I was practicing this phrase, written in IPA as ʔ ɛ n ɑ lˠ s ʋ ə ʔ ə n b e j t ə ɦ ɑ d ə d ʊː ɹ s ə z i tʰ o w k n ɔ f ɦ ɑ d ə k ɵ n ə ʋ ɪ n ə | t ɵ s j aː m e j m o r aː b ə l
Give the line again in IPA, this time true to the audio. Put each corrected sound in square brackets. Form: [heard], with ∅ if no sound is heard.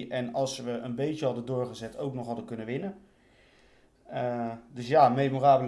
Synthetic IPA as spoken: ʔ ɛ n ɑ lˠ s ʋ ə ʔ ə n b e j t ə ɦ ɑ d ə d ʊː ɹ [χ] ə z [ɛ] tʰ o w k n ɔ [χ] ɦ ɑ d ə k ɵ n ə ʋ ɪ n ə | [d] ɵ s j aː m e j m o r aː b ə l